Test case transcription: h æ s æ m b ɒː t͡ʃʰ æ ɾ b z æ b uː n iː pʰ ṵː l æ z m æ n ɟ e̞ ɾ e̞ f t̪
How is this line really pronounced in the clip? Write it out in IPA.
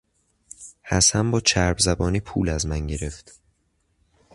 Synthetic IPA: h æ s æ m b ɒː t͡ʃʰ æ ɾ b z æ b ɒː n iː pʰ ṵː l æ z m æ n ɟ e̞ ɾ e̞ f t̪